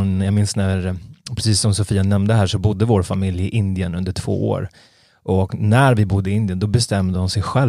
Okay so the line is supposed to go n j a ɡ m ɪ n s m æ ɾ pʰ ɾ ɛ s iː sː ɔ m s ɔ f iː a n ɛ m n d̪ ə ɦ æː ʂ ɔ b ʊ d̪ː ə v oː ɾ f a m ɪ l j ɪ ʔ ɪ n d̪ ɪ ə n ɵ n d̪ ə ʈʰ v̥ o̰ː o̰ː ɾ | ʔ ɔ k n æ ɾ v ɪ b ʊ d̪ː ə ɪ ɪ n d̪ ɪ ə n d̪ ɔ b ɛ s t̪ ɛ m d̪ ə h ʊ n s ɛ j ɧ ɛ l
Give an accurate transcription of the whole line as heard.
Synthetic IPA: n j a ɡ m ɪ n s n æ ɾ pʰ ɾ ɛ s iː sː ɔ m s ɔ f iː a n ɛ m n d̪ ə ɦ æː ʂ ɔ b ʊ d̪ː ə v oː ɾ f a m ɪ l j ɪ ʔ ɪ n d̪ ɪ ə n ɵ n d̪ ə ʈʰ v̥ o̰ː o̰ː ɾ | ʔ ɔ k n æ ɾ v ɪ b ʊ d̪ː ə ɪ ɪ n d̪ ɪ ə n d̪ ɔ b ɛ s t̪ ɛ m d̪ ə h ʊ n s ɛ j ɧ ɛ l